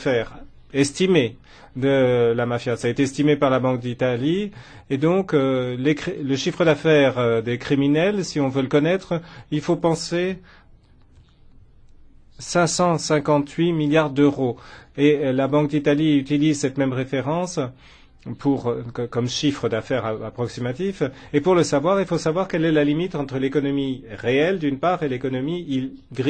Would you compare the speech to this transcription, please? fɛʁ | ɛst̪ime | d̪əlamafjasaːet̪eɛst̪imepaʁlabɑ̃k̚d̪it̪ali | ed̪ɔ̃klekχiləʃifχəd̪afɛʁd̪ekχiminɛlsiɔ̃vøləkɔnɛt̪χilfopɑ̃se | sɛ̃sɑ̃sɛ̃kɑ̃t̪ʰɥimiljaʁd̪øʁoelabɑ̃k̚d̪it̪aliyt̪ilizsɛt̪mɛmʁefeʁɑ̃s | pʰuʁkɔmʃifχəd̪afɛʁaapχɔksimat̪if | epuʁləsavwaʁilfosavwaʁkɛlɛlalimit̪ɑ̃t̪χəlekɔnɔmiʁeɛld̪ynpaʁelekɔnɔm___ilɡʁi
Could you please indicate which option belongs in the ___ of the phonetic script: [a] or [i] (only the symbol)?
i